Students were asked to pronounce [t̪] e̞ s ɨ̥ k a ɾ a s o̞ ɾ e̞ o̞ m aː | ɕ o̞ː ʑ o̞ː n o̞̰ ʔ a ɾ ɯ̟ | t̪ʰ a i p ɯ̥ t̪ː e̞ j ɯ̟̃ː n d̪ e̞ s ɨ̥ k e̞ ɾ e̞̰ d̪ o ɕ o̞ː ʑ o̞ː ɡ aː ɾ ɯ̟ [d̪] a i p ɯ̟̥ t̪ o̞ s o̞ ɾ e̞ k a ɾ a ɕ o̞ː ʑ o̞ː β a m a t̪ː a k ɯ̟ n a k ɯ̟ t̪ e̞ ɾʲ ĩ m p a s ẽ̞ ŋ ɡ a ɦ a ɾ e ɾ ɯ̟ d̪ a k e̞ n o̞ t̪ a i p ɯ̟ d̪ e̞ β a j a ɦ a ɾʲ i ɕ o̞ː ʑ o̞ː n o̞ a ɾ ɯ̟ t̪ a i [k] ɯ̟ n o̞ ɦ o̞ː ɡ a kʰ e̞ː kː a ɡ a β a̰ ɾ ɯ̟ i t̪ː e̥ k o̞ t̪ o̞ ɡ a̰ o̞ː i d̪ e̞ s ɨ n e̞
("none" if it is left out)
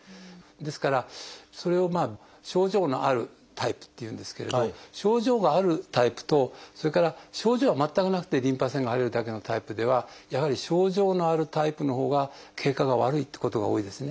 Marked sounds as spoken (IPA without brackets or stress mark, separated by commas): d̪, t̪, p